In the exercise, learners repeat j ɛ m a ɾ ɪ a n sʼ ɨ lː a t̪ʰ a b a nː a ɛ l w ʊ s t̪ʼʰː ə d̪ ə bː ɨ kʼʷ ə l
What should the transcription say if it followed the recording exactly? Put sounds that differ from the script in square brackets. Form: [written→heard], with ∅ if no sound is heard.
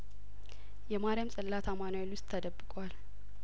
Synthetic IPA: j ɛ m a ɾ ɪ a [n→m] sʼ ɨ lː a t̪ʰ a [b→m] a [nː→n] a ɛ l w ʊ s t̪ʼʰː ə d̪ ə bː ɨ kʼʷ [ə→a] l